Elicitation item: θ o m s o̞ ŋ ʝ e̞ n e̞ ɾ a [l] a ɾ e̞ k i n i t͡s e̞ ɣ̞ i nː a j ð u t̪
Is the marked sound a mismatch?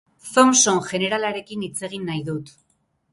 no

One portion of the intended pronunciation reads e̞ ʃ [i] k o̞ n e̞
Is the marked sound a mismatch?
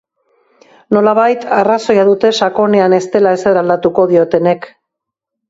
yes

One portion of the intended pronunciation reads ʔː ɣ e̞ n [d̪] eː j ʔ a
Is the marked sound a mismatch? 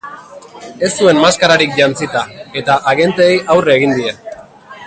yes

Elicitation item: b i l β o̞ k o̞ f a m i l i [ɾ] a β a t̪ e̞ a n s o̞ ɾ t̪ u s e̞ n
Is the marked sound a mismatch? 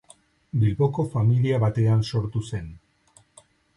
yes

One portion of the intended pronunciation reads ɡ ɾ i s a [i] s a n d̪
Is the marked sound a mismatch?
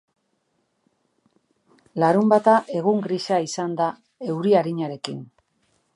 no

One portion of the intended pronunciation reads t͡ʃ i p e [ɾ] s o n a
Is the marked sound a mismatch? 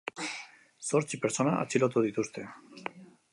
no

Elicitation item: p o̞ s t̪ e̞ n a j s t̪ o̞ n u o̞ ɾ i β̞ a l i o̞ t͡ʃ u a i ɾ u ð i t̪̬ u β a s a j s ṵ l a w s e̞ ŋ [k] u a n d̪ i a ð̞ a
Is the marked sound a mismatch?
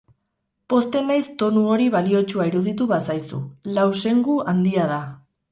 yes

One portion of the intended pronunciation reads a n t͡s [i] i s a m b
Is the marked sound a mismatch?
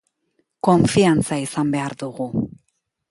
yes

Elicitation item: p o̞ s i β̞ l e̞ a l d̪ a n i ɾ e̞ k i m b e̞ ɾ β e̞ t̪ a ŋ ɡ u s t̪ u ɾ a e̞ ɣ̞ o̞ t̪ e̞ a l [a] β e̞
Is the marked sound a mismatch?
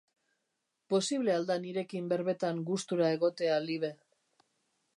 yes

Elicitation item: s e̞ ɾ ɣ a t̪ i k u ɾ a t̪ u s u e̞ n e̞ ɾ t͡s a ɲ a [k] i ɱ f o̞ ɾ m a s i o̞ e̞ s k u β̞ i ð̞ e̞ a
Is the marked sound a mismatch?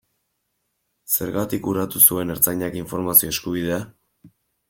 no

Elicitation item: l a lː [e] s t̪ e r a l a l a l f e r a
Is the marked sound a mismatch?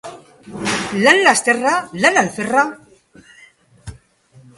yes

